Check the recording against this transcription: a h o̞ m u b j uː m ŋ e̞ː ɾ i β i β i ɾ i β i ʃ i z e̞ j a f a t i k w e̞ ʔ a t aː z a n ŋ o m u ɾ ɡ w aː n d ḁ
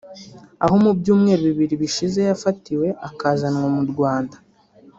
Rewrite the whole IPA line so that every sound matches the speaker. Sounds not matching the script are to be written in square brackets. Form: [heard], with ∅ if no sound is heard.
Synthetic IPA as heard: a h o̞ m u b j uː m ŋ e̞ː ɾ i β i β i ɾ i β i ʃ i z e̞ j a f a t i [∅] w e̞ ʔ a [k] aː z a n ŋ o m u ɾ ɡ w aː n d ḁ